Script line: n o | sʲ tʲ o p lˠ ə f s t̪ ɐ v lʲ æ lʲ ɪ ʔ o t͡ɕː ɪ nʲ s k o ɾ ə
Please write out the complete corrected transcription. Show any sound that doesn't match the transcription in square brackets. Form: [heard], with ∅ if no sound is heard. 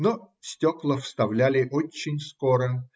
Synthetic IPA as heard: n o | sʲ tʲ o [k] lˠ ə f s t̪ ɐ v lʲ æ lʲ ɪ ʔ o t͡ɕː ɪ nʲ s k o ɾ ə